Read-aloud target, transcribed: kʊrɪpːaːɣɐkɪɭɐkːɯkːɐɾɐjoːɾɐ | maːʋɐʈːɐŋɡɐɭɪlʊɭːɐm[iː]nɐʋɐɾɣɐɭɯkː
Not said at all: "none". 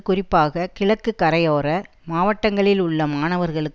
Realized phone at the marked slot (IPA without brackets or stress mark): aː